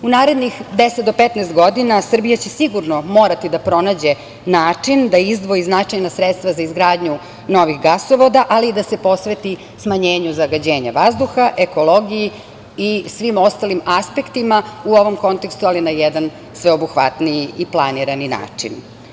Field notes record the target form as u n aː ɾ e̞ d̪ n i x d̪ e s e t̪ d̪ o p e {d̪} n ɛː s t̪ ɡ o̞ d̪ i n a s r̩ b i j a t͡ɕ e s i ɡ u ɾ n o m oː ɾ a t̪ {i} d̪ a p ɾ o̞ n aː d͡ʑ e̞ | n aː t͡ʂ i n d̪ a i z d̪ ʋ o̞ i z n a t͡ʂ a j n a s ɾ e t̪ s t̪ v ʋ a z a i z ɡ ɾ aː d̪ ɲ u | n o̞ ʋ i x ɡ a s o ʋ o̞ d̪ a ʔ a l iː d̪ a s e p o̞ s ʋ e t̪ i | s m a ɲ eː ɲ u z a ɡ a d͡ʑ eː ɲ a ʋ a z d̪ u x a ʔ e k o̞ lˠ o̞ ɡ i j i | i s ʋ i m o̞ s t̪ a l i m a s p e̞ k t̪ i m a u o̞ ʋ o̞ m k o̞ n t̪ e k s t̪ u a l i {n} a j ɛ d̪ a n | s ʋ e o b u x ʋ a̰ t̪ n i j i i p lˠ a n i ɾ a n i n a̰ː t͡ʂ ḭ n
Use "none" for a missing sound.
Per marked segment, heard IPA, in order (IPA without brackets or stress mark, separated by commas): t̪, i, n